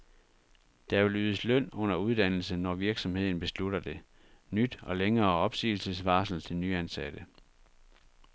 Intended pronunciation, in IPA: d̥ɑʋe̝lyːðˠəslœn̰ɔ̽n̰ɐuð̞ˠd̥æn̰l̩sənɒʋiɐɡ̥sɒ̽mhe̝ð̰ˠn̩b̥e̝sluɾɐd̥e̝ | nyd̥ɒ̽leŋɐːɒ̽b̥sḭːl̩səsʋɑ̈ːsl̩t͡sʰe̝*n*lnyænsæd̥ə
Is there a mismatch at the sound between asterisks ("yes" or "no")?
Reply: yes